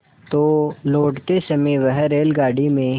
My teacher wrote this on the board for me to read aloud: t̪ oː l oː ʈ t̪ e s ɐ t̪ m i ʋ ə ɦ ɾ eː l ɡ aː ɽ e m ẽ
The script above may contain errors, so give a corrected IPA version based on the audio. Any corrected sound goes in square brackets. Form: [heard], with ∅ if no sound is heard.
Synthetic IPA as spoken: t̪ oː l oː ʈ t̪ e s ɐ [∅] m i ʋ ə ɦ ɾ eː l ɡ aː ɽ [i] m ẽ